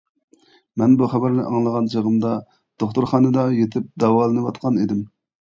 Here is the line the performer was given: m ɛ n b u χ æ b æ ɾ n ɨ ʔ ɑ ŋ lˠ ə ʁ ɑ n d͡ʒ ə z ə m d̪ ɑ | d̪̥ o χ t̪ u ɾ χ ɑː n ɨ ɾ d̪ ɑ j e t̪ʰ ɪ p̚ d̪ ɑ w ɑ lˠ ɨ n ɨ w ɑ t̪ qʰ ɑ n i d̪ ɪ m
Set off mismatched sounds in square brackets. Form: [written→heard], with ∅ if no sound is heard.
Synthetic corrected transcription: m ɛ n b u χ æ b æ ɾ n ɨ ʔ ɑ ŋ lˠ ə ʁ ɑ n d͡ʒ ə [z→ʁ] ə m d̪ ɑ | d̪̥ o χ t̪ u ɾ χ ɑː n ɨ [ɾ→∅] d̪ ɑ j e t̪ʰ ɪ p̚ d̪ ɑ w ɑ lˠ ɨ n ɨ w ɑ t̪ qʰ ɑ n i d̪ ɪ m